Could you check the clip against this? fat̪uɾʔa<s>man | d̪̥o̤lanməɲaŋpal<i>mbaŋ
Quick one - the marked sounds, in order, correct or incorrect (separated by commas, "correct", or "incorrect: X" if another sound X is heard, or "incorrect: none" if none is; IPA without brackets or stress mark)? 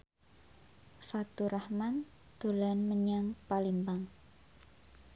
incorrect: h, correct